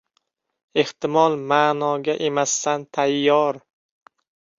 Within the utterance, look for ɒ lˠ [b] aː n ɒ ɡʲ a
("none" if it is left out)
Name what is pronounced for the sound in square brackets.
m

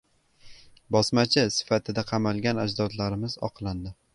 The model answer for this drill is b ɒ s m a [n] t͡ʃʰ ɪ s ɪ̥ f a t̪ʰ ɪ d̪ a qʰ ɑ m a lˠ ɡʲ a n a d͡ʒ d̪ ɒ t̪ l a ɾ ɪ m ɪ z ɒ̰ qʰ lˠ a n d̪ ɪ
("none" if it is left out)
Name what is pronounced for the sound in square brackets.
none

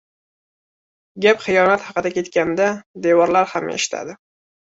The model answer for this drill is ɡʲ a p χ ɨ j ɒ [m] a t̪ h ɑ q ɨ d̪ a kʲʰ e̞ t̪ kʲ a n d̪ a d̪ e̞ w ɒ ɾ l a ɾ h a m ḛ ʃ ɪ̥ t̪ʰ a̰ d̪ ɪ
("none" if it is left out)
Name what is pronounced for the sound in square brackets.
n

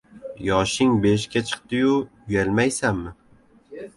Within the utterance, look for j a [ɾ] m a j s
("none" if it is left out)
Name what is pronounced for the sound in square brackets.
l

